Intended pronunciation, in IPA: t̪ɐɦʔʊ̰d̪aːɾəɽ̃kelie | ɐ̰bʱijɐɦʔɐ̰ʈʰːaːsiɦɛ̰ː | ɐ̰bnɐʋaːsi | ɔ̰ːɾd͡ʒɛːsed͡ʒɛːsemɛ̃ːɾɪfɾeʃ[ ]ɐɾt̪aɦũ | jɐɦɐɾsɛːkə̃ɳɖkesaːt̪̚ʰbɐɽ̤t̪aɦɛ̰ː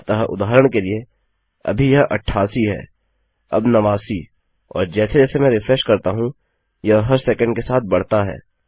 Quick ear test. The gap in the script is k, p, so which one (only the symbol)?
k